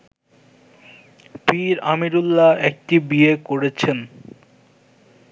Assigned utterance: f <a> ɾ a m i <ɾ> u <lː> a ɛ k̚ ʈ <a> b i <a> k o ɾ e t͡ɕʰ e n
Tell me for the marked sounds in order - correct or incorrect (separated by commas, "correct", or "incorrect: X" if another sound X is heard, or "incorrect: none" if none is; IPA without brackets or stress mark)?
incorrect: i, correct, correct, incorrect: i, incorrect: e